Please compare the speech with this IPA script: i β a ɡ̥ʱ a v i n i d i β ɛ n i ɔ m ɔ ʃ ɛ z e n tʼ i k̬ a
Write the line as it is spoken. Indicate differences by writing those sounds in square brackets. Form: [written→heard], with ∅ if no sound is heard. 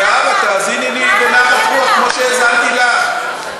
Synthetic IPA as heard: [i→a] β a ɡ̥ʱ a [v→z] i n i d i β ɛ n [i→a] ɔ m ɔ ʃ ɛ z [e→a] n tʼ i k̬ a